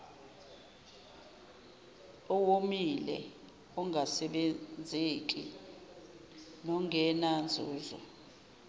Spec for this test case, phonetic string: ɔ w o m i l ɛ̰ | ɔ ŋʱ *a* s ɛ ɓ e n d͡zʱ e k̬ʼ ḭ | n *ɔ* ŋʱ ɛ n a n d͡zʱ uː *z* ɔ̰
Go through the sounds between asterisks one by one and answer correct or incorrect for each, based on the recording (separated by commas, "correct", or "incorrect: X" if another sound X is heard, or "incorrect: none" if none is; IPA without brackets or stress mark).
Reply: correct, correct, correct